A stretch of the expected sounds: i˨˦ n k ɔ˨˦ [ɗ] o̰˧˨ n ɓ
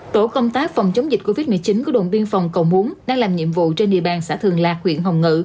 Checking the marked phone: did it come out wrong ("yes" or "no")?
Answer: no